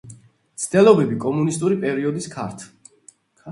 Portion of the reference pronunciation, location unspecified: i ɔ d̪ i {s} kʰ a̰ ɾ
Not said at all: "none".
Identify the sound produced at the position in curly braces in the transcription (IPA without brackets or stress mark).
s